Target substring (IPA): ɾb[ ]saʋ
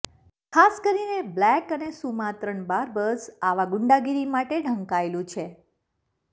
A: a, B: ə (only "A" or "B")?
B